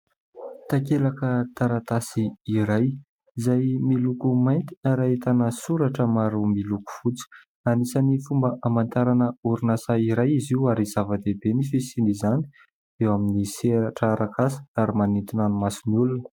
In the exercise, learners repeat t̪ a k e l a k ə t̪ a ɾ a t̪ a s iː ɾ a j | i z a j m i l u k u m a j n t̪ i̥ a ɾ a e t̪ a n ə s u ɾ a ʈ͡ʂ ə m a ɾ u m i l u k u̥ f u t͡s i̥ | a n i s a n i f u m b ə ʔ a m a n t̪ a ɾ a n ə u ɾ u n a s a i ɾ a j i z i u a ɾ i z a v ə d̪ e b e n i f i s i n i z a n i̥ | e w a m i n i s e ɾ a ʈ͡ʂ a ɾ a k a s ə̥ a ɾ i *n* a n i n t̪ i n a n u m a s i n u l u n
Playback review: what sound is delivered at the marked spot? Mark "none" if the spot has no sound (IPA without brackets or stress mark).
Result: m